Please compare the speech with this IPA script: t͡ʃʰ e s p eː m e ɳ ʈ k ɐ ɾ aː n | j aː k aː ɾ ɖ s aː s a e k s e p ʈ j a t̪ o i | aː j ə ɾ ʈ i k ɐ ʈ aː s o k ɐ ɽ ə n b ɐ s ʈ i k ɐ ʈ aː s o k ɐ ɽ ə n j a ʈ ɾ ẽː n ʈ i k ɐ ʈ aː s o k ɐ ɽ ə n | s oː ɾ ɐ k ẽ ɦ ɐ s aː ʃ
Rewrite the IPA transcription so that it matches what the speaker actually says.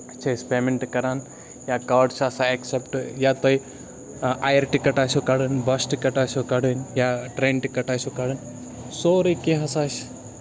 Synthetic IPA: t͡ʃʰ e s p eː m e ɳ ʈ k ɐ ɾ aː n | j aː k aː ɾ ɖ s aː s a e k s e p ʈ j a t̪ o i | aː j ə ɾ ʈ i k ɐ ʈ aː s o k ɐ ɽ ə n b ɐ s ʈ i k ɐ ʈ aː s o k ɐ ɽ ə n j a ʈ ɾ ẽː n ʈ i k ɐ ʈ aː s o k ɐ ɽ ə n | s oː ɾ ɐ k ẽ ɦ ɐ s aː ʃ